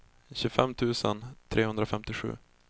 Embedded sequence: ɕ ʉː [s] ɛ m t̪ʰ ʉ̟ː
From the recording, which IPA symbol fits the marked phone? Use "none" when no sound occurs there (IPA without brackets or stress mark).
f